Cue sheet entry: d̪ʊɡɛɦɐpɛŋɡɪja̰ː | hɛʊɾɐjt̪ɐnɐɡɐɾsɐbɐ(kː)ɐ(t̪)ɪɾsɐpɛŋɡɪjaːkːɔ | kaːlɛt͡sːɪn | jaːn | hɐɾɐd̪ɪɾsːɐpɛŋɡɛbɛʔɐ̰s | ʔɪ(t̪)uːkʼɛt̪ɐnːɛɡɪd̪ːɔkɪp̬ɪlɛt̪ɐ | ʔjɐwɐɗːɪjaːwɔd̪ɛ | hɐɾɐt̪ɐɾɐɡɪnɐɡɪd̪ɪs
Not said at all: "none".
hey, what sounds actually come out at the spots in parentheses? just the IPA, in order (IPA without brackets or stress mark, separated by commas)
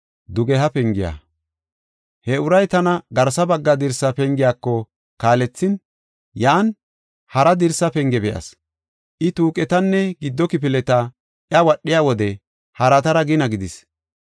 ɡː, d̪, t̪